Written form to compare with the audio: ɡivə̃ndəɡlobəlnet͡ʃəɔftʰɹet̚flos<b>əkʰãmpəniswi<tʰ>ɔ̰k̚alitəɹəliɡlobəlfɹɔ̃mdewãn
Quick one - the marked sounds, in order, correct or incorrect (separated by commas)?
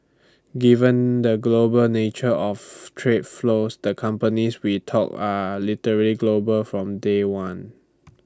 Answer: incorrect, correct